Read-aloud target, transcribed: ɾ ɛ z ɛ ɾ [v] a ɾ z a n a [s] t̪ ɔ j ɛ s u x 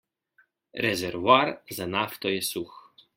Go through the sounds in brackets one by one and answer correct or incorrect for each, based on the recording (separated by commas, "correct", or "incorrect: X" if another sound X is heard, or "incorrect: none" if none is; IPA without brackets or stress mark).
correct, incorrect: f